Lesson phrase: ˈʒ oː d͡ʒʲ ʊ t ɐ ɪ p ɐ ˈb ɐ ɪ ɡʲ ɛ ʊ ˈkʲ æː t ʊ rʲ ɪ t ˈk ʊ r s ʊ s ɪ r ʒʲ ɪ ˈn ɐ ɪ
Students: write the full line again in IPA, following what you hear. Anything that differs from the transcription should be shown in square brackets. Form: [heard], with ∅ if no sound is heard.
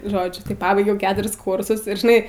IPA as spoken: ˈʒ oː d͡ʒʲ ʊ t ɐ ɪ p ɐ ˈb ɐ ɪ ɡʲ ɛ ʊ ˈkʲ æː t ʊ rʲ ɪ [s] ˈk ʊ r s ʊ s ɪ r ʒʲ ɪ ˈn ɐ ɪ